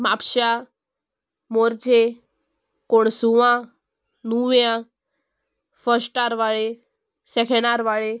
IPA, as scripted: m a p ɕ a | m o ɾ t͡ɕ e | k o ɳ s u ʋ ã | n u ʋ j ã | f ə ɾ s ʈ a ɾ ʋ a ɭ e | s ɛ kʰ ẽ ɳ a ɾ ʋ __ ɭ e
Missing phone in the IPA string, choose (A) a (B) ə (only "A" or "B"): A